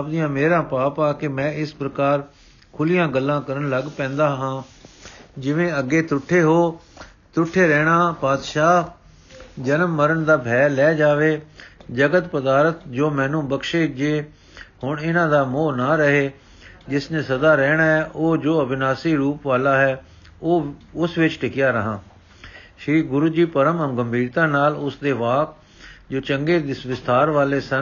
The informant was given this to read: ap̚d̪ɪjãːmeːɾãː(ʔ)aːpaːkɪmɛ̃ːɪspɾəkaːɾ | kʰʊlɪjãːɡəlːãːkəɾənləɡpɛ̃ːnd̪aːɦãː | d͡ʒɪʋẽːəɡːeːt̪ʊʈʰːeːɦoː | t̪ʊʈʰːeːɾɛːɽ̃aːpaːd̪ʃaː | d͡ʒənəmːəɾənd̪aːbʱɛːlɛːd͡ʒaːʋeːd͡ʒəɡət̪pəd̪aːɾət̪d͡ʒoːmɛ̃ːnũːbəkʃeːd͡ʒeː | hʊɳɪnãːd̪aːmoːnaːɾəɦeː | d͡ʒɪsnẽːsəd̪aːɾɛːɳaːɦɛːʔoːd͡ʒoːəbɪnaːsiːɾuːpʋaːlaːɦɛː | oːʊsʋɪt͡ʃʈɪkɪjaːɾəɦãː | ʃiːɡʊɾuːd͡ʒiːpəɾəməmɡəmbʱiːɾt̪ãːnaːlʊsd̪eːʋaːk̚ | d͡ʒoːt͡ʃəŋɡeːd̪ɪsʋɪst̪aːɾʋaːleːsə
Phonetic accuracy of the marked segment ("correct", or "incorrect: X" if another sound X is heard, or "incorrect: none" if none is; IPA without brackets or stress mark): incorrect: p